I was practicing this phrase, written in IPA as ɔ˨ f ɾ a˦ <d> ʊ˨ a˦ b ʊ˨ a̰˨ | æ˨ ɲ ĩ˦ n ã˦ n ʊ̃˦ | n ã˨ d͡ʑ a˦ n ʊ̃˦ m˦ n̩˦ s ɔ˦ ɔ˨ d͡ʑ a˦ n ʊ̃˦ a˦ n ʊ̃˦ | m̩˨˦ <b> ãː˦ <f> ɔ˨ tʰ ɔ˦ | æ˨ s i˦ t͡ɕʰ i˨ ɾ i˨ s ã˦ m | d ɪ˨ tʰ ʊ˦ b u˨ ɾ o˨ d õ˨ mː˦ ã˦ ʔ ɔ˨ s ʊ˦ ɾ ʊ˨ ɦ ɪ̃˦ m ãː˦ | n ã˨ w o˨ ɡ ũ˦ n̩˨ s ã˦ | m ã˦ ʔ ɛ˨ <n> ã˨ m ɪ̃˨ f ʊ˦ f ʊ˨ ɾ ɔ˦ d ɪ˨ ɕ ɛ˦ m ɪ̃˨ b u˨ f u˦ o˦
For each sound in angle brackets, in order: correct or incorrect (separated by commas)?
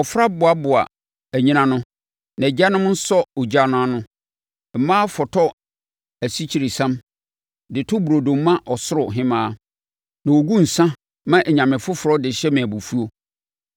incorrect, incorrect, correct, incorrect